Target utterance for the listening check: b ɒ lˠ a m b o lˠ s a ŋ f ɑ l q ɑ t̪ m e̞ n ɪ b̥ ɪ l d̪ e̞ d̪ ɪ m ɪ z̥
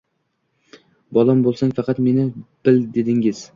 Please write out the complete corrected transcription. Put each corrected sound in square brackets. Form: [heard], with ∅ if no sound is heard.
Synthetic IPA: b ɒ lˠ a m b o lˠ s a ŋ f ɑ [∅] q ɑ t̪ m e̞ n ɪ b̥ ɪ l d̪ e̞ d̪ ɪ [ŋ] ɪ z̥